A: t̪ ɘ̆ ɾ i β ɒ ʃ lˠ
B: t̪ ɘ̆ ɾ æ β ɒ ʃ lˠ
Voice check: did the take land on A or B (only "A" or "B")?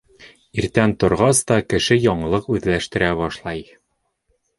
B